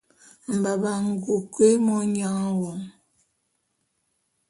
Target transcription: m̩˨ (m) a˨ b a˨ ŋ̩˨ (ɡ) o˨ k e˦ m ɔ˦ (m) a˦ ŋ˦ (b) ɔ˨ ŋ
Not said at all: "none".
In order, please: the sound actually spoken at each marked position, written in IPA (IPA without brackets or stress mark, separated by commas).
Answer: b, ɡ, ɲ, w